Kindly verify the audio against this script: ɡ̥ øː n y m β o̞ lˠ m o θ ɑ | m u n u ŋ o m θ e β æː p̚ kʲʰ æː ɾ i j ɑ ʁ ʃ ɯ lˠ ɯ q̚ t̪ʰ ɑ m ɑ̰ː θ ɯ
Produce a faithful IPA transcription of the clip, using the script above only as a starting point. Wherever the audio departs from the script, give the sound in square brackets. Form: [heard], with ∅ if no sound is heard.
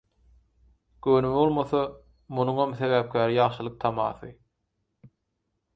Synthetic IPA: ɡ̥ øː n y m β o̞ lˠ m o θ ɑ | m u n u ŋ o m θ e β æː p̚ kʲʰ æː ɾ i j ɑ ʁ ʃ ɯ lˠ ɯ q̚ t̪ʰ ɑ m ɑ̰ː θ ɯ